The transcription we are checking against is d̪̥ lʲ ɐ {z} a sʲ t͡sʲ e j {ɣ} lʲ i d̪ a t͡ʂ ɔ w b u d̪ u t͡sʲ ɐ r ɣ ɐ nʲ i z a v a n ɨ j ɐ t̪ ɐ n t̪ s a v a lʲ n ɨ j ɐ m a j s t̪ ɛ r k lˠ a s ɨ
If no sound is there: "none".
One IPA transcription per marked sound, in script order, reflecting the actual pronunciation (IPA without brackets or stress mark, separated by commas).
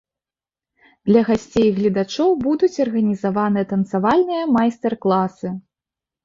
ɣ, ɣ